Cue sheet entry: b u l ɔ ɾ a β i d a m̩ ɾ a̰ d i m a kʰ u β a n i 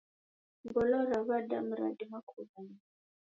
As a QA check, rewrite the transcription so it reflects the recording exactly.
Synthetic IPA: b ɔ l ɔ ɾ a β a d a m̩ ɾ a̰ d i m a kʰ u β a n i